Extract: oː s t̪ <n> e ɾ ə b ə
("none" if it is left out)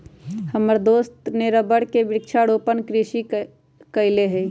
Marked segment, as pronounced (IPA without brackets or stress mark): n